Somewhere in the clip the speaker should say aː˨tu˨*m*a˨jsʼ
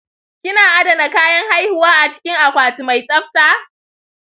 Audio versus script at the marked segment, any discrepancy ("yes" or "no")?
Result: no